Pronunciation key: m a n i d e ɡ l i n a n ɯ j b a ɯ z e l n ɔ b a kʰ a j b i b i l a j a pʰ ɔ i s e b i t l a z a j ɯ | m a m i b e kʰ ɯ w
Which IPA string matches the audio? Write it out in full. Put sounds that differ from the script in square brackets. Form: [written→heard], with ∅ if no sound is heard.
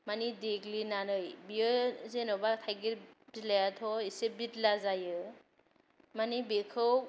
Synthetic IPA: m a n i d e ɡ l i n a n ɯ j b [a→i] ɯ z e [l→∅] n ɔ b a [kʰ→tʰ] a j [b→ɡ] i b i l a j a [pʰ→tʰ] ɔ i s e b i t l a z a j ɯ | m a [m→n] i b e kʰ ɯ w